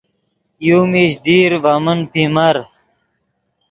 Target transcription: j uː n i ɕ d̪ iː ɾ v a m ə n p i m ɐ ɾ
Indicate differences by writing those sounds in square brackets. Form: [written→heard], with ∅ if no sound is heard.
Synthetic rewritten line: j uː [n→m] i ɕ d̪ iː ɾ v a m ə n p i m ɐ ɾ